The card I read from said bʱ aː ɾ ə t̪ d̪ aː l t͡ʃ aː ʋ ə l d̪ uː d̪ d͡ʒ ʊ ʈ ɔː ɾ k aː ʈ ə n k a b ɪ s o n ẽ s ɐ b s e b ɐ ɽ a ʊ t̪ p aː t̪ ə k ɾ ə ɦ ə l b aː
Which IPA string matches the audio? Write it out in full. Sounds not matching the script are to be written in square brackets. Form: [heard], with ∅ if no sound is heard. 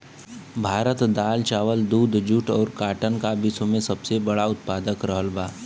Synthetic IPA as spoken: bʱ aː ɾ ə t̪ d̪ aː l t͡ʃ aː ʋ ə l d̪ uː d̪ d͡ʒ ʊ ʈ ɔː ɾ k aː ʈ ə n k a b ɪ s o [m] ẽ s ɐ b s e b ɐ ɽ a ʊ t̪ p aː [d̪] ə k ɾ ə ɦ ə l b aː